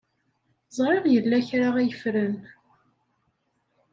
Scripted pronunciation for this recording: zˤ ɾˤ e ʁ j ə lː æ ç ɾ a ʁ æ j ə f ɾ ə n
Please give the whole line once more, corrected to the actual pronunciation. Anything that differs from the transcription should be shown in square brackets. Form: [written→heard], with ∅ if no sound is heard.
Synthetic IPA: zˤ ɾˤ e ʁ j ə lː æ ç ɾ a ʁ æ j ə f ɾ ə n